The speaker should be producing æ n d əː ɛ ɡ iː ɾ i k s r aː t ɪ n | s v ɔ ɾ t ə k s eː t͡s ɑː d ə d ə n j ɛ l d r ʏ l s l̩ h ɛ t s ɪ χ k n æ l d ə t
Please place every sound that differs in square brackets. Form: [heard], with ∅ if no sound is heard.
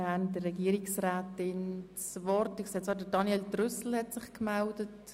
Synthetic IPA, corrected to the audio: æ n d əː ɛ ɡ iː ɾ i k s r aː t ɪ n | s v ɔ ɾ t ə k s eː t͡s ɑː d ə d [ɑ] n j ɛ l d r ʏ [∅] s l̩ h ɛ t s ɪ χ k [m] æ l d ə t